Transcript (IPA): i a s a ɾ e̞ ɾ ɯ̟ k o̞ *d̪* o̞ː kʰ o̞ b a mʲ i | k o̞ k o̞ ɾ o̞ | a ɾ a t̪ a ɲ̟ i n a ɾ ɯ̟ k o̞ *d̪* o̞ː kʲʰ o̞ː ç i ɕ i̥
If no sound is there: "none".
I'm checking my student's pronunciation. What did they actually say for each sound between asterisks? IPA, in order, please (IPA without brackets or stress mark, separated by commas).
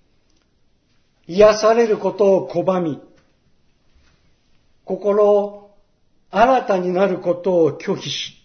t̪, t̪